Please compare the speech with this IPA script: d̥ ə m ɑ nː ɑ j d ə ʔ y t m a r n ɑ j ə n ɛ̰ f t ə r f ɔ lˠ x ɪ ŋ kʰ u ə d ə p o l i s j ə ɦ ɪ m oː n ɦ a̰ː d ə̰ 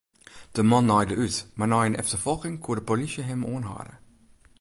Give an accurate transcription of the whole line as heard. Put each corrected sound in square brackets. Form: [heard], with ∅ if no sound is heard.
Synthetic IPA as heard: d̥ ə m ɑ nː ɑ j d ə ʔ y t m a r n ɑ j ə n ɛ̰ f t ə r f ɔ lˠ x ɪ ŋ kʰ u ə d ə p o l i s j ə ɦ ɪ m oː n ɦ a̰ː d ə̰